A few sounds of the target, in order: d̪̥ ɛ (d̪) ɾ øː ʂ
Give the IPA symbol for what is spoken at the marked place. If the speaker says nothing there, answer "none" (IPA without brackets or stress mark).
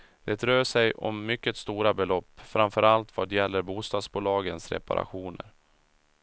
t̪